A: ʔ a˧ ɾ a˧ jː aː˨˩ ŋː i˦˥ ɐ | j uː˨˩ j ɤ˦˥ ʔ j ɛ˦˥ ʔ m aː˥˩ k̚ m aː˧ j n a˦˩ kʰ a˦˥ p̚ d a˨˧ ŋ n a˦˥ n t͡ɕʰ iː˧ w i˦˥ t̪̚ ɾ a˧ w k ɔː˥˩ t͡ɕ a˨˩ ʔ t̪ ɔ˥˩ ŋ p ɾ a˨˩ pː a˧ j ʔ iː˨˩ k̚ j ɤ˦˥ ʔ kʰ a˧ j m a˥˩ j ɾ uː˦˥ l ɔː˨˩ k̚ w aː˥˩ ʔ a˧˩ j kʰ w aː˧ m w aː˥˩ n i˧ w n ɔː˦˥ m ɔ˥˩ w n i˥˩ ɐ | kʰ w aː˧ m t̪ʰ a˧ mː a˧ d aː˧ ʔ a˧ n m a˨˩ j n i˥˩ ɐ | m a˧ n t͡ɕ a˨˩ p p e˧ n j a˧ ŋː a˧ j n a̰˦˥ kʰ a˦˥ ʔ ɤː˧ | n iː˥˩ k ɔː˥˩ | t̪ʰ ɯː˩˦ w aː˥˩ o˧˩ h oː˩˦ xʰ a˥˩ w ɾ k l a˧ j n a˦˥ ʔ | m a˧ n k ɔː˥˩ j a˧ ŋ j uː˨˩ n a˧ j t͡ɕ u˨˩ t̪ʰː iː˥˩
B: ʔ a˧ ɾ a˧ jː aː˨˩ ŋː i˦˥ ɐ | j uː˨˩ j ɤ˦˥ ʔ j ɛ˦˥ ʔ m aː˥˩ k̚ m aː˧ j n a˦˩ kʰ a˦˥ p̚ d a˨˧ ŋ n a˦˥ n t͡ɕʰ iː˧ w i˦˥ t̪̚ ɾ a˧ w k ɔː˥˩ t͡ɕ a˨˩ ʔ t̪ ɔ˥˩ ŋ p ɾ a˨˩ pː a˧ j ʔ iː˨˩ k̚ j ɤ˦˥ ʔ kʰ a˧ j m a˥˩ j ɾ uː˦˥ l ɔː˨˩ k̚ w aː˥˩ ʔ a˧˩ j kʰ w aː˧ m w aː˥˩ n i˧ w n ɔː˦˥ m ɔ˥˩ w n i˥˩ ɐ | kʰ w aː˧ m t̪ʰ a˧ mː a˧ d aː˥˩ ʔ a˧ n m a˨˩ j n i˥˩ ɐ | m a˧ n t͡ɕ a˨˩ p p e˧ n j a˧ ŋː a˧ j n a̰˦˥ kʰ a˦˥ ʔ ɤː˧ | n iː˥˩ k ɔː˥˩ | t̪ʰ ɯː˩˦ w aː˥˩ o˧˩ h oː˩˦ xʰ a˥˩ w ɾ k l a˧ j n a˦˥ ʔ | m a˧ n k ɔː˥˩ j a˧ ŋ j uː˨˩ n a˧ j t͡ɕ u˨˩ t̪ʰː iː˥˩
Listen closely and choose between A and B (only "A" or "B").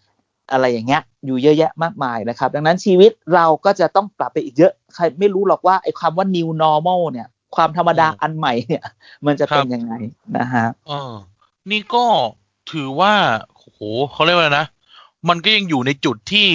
A